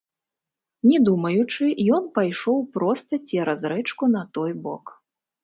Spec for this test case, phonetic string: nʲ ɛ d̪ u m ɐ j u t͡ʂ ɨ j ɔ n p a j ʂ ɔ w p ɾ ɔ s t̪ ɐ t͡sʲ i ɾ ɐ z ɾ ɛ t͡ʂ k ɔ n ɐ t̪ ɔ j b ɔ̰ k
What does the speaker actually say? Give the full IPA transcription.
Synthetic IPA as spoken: nʲ ɛ d̪ u m ɐ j u t͡ʂ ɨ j ɔ n p a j ʂ ɔ w p ɾ ɔ s t̪ ɐ t͡sʲ ɛ ɾ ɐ z ɾ ɛ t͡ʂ k u n ɐ t̪ ɔ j b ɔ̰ k